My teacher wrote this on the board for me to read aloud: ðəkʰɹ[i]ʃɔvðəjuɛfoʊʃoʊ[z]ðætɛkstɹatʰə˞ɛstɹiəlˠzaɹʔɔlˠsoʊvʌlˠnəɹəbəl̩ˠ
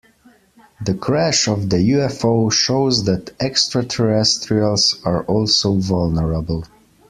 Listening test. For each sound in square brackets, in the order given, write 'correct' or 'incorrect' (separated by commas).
incorrect, correct